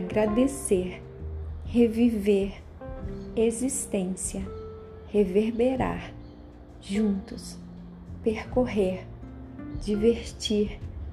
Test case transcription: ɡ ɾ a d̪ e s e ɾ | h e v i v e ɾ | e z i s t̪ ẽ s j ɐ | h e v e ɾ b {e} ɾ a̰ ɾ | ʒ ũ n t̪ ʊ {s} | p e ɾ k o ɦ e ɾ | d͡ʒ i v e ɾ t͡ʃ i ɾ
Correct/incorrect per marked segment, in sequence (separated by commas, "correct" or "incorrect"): correct, correct